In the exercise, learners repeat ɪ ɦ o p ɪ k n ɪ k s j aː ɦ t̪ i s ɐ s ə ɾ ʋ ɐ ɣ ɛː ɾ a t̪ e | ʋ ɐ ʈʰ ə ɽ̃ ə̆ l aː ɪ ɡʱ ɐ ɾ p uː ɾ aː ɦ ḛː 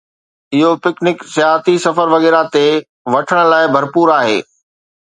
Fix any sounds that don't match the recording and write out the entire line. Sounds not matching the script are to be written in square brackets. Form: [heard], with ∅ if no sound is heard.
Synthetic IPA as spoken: ɪ ɦ o p ɪ k n ɪ k s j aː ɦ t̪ i s ɐ [f] ə ɾ ʋ ɐ ɣ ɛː ɾ a t̪ e | ʋ ɐ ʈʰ ə ɽ̃ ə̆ l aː ɪ [bʱ] ɐ ɾ p uː ɾ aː ɦ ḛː